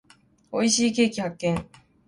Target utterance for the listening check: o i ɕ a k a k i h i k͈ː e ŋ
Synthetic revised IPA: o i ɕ i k e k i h a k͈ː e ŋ